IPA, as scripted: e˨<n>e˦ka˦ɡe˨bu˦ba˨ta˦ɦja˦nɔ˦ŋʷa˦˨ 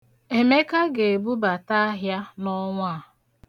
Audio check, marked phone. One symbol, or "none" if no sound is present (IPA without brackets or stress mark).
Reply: m